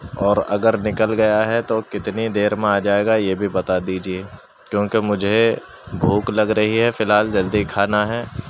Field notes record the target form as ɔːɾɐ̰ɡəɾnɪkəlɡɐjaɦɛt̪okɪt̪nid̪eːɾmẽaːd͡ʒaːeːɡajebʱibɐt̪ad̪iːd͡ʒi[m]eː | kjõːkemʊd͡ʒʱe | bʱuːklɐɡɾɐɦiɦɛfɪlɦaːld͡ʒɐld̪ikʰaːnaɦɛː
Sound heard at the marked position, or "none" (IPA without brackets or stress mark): none